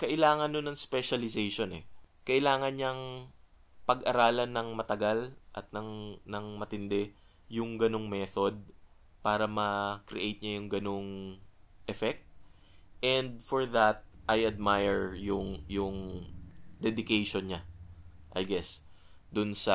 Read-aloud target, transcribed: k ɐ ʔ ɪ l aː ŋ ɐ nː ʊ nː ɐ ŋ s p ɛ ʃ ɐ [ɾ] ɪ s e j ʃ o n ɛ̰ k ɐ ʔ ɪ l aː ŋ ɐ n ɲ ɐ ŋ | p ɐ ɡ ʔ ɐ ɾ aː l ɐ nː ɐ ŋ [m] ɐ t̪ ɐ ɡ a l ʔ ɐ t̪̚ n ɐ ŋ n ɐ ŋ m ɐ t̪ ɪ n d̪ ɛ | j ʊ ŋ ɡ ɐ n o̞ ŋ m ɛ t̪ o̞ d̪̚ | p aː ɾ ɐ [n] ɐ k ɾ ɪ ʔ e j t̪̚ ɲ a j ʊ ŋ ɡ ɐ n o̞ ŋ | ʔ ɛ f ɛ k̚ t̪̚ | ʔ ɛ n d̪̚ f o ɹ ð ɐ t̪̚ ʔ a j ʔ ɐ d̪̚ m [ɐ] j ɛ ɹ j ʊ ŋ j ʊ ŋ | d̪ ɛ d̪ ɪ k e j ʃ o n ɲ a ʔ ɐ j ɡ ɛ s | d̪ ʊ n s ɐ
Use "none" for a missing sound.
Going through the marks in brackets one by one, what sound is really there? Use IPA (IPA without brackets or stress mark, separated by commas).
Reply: l, m, m, a